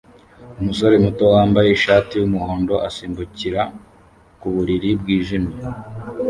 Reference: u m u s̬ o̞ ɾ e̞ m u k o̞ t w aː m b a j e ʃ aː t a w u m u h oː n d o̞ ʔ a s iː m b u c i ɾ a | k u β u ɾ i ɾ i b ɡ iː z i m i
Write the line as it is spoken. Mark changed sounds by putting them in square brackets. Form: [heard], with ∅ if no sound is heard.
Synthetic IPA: u m u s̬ o̞ ɾ e̞ m u [t] o̞ [∅] w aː m b a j e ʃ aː t [i] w u m u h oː n d o̞ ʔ a s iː m b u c i ɾ a | k u β u ɾ i ɾ i b ɡ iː [ʒ] i m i